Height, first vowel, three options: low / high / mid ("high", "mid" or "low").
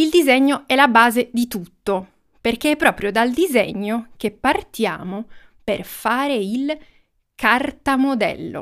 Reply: high